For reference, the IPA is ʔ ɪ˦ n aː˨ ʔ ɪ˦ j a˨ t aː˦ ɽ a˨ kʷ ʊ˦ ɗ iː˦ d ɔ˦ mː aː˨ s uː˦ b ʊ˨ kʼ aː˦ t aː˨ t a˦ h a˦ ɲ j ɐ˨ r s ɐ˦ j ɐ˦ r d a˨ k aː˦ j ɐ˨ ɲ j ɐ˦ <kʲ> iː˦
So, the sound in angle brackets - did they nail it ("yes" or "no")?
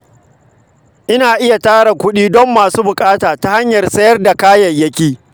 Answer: yes